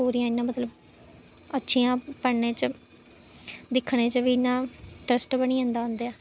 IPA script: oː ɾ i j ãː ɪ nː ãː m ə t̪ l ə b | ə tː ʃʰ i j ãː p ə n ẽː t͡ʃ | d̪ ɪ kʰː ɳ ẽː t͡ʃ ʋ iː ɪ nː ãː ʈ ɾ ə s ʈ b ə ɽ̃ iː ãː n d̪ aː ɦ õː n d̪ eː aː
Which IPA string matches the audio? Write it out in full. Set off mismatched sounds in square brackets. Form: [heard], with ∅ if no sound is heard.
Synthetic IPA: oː ɾ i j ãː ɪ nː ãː m ə t̪ l ə b | ə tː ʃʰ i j ãː p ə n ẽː t͡ʃ | d̪ ɪ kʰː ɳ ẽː t͡ʃ ʋ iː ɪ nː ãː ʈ ɾ ə s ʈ b ə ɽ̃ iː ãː n d̪ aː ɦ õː n d̪ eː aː